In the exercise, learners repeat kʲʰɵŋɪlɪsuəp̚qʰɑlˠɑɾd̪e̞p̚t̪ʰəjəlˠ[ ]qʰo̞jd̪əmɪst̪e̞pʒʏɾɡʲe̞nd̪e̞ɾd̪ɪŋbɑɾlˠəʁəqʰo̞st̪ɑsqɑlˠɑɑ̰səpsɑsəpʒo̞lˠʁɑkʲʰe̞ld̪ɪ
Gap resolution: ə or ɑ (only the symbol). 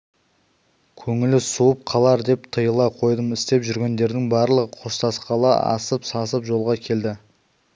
ɑ